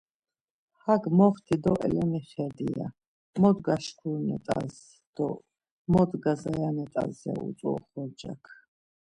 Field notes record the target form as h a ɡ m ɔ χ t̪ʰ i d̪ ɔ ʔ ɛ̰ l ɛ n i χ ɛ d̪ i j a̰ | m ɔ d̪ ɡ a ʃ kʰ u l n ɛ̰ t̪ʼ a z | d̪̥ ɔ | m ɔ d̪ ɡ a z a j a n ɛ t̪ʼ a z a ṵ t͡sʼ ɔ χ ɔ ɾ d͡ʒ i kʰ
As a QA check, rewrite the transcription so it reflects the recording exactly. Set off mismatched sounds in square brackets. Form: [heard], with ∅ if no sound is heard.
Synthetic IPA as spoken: h a ɡ m ɔ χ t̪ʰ i d̪ ɔ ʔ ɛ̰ l ɛ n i χ ɛ d̪ i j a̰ | m ɔ d̪ ɡ a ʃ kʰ u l n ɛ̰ t̪ʼ a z | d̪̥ ɔ | m ɔ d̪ ɡ a z a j a n ɛ t̪ʼ a z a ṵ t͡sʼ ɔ χ ɔ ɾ d͡ʒ [a] kʰ